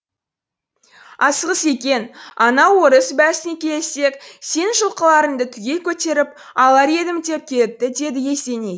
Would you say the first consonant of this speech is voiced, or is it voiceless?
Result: voiceless